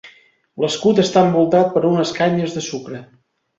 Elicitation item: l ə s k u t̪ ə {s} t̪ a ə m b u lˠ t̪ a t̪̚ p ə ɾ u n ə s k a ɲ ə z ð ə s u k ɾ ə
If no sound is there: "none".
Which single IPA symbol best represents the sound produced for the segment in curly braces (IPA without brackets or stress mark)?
s